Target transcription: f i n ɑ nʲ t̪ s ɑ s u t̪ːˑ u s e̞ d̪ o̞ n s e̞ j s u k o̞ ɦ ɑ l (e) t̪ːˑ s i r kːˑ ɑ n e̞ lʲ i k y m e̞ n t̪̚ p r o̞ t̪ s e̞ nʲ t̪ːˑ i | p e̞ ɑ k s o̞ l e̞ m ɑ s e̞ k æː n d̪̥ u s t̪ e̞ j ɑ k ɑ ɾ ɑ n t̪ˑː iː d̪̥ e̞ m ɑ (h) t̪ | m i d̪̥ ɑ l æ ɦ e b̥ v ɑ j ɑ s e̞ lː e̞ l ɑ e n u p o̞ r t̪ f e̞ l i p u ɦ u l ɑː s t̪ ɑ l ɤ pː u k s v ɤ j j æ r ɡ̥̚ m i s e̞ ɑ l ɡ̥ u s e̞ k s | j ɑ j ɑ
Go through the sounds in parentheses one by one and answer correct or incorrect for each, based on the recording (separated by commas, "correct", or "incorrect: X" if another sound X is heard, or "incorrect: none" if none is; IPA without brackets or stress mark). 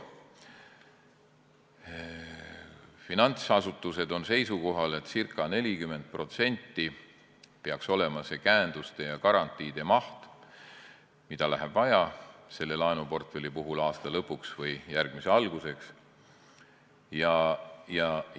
correct, correct